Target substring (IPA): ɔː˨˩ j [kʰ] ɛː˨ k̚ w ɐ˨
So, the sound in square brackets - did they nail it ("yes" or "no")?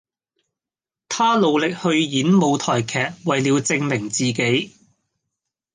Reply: yes